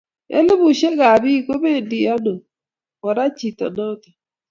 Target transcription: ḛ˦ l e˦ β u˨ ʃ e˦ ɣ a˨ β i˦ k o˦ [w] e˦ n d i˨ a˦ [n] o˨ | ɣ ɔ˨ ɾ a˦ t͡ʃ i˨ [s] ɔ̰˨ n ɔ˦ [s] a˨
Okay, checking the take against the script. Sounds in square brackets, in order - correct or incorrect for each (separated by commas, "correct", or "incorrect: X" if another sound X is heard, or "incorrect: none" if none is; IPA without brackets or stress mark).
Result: incorrect: β, correct, incorrect: t, incorrect: t